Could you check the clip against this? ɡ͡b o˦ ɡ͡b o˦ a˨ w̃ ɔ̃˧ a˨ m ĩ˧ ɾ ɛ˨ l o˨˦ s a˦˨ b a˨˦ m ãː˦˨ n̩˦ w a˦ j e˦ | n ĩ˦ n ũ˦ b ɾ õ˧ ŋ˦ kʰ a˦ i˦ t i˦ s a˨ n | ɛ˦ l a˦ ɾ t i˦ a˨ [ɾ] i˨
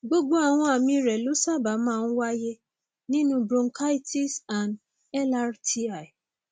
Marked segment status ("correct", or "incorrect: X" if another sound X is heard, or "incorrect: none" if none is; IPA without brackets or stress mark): incorrect: none